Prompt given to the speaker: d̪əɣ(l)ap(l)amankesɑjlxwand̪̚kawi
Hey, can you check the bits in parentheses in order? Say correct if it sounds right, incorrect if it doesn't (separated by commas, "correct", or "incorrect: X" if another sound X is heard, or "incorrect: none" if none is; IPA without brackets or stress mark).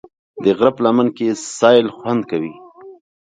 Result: incorrect: ɾ, correct